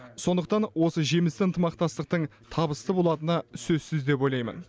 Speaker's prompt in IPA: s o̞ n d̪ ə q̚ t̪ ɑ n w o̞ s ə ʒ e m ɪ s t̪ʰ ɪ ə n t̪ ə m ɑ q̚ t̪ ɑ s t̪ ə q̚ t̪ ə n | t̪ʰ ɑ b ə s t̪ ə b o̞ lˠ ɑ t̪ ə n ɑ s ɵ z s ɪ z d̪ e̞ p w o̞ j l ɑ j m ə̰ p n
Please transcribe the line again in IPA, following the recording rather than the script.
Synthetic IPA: s o̞ n d̪ ə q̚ t̪ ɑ n w o̞ s ə ʒ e m ɪ s t̪ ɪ ə n t̪ ə m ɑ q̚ t̪ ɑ s t̪ ə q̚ t̪ ə ɴ | t̪ʰ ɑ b ə s t̪ ə b o̞ lˠ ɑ t̪ ə n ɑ s ɵ z s ɪ z d̪ e̞ p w o̞ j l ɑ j m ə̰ n